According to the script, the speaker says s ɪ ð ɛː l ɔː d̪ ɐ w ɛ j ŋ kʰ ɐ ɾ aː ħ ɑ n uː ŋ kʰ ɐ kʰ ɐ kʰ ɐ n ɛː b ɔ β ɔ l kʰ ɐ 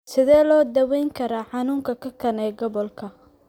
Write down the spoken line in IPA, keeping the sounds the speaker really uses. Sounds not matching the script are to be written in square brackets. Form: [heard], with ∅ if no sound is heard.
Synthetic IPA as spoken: s ɪ ð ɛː l ɔː d̪ ɐ w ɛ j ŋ kʰ ɐ ɾ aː ħ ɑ n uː ŋ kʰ ɐ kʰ ɐ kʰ ɐ n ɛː [ɡ] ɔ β ɔ l kʰ ɐ